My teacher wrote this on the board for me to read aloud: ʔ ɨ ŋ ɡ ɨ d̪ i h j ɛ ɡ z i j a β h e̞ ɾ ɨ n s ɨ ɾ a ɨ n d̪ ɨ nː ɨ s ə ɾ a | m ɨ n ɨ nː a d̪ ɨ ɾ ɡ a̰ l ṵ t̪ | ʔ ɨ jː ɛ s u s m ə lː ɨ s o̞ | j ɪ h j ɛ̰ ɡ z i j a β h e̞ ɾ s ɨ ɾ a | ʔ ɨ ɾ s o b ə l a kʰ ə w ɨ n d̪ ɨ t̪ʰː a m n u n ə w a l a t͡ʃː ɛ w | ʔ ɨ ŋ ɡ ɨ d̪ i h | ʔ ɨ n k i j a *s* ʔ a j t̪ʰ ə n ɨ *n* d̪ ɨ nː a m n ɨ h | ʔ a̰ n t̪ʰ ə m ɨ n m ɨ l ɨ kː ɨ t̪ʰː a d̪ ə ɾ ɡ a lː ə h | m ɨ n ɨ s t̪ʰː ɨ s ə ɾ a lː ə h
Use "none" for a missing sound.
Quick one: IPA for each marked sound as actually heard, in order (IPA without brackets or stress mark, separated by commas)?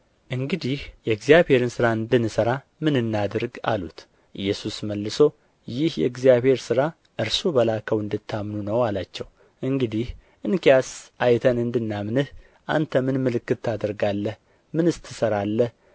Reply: s, n